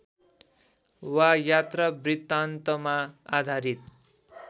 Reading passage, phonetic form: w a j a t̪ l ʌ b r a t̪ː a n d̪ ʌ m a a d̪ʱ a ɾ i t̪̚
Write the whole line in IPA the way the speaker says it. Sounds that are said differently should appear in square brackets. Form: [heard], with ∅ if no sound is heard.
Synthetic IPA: w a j a t̪ [r] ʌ b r [i] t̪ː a n [t̪] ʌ m a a d̪ʱ a ɾ i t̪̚